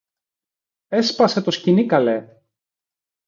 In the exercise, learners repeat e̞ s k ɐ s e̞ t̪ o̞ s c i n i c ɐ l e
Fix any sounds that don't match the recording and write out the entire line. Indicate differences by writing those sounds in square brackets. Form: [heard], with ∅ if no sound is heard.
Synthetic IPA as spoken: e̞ s [p] ɐ s e̞ t̪ o̞ s c i n i [k] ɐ l e

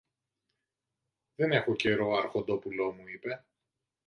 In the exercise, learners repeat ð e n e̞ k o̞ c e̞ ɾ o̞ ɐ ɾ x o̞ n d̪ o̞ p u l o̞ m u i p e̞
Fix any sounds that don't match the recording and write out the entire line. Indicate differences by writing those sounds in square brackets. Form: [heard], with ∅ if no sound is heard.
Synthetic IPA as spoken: ð e n e̞ [x] o̞ c e̞ ɾ o̞ ɐ ɾ x o̞ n d̪ o̞ p u l o̞ m u i p e̞

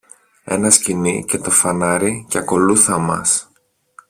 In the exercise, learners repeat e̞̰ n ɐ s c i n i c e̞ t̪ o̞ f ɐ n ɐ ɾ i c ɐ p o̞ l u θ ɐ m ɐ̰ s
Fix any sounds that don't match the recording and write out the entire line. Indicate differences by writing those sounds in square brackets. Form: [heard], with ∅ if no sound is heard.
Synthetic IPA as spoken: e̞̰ n ɐ s c i n i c e̞ t̪ o̞ f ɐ n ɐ ɾ i c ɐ [k] o̞ l u θ ɐ m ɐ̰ s

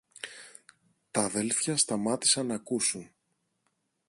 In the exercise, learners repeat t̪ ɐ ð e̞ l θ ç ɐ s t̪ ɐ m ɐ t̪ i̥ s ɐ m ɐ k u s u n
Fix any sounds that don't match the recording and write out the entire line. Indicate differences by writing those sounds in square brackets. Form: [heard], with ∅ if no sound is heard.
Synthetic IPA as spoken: t̪ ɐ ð e̞ l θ ç ɐ s t̪ ɐ m ɐ t̪ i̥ s ɐ [n] ɐ k u s u n

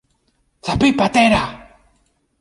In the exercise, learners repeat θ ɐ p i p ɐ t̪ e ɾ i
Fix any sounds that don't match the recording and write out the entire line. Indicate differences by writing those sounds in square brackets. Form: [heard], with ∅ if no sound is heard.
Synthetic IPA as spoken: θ [a] p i p [a] t̪ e ɾ [a]

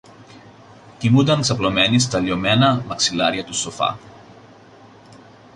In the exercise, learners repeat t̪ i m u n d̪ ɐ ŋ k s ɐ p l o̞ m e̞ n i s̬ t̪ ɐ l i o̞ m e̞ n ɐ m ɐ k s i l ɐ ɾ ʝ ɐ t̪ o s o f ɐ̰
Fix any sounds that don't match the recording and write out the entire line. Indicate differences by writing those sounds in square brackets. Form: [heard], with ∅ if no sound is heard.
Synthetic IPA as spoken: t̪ i m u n d̪ ɐ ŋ k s ɐ p l o̞ m e̞ n i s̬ t̪ ɐ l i o̞ m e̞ n ɐ m ɐ k s i l ɐ ɾ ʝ ɐ t̪ [u] s o f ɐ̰

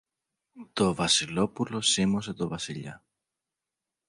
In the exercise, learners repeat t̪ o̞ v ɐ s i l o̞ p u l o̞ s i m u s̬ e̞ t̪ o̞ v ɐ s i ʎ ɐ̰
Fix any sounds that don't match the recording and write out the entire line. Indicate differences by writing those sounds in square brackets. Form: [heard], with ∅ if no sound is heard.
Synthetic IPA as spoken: t̪ o̞ v ɐ s i l o̞ p u l o̞ s i m [o] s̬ e̞ t̪ o̞ v ɐ s i ʎ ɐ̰

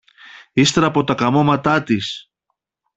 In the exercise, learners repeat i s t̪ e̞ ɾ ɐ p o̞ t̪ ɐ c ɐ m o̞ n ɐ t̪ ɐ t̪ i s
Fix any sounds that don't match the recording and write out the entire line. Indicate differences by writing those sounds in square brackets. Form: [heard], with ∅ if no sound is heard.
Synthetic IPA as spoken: i s t̪ e̞ ɾ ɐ p o̞ t̪ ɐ [k] ɐ m o̞ [m] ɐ t̪ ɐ t̪ i s

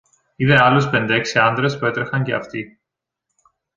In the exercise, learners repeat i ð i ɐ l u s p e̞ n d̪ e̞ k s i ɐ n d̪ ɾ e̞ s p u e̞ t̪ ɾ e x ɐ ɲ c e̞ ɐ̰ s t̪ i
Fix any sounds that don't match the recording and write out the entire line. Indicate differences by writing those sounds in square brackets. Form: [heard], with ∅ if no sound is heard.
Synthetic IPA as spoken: i ð [e] ɐ l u s p e̞ n d̪ e̞ k s i ɐ n d̪ ɾ e̞ s p u e̞ t̪ ɾ e x ɐ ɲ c e̞ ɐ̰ [f] t̪ i

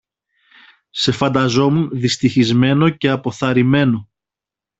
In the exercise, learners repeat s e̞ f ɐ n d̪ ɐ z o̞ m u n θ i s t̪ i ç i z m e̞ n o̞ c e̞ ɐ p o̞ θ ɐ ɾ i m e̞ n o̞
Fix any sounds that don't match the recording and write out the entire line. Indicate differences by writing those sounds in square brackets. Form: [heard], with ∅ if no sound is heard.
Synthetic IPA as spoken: s e̞ f ɐ n d̪ ɐ z o̞ m u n [ð] i s t̪ i ç i z m e̞ n o̞ c e̞ ɐ p o̞ θ ɐ ɾ i m e̞ n o̞

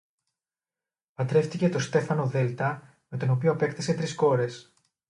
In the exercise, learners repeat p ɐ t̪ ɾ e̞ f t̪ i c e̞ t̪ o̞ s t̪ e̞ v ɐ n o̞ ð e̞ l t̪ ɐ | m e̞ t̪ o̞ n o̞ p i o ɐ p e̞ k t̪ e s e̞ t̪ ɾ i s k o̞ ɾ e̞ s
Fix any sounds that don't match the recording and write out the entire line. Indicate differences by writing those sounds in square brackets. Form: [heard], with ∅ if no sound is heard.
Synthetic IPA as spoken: p ɐ t̪ ɾ e̞ f t̪ i c e̞ t̪ o̞ s t̪ e̞ [f] ɐ n o̞ ð e̞ l t̪ ɐ | m e̞ t̪ o̞ n o̞ p i o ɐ p e̞ k t̪ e s e̞ t̪ ɾ i s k o̞ ɾ e̞ s

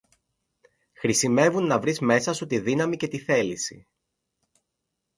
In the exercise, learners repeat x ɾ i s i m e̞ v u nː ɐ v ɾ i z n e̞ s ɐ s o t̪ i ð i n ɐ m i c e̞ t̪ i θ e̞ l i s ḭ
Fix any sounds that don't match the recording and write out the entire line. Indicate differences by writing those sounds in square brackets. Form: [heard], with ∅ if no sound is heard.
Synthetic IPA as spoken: x ɾ i s i m e̞ v u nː ɐ v ɾ i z [m] e̞ s ɐ s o t̪ i ð i n ɐ m i c e̞ t̪ i θ e̞ l i s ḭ

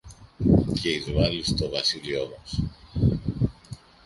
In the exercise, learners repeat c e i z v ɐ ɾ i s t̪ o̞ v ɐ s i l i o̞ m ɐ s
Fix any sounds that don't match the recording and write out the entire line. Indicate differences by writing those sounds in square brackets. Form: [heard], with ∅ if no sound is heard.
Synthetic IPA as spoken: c e i z v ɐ [l] i s t̪ o̞ v ɐ s i l i o̞ m ɐ s

